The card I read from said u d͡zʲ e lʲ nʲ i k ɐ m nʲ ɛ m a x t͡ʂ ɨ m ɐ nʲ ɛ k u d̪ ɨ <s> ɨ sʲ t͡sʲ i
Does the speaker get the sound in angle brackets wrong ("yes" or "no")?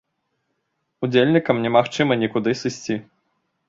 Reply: no